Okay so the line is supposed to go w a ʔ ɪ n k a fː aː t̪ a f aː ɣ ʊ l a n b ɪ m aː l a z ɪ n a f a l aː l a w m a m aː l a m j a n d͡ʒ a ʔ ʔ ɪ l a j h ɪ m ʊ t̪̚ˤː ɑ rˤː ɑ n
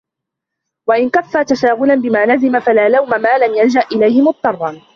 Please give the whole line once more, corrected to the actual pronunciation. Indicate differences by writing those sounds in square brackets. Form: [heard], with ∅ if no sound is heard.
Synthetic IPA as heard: w a ʔ ɪ n k a fː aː t̪ a [ʃ] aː ɣ ʊ l a n b ɪ m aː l a z ɪ [m] a f a l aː l a w m a m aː l a m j a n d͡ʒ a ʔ ʔ ɪ l a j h ɪ m ʊ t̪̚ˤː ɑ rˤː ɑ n